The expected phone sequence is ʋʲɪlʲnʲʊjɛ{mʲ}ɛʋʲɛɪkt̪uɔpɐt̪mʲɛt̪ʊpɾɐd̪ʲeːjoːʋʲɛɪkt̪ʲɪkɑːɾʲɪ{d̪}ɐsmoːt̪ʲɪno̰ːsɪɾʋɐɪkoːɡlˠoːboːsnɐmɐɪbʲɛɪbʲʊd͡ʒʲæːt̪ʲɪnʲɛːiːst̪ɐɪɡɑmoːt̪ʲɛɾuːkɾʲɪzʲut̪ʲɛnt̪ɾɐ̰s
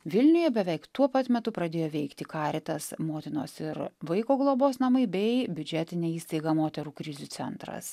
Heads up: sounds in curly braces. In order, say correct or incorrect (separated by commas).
incorrect, incorrect